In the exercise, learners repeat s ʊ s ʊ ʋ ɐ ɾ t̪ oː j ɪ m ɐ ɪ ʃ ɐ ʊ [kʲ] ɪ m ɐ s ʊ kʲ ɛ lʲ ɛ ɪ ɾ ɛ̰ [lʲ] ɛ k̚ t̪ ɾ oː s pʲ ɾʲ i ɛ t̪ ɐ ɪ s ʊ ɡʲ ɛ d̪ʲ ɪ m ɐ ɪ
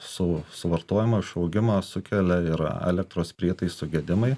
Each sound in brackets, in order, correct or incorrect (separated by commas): incorrect, correct